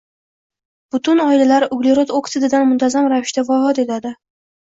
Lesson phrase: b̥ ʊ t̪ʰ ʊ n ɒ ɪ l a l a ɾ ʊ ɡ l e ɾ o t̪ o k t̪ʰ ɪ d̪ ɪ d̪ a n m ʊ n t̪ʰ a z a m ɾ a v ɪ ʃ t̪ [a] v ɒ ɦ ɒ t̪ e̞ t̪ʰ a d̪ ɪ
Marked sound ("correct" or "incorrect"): correct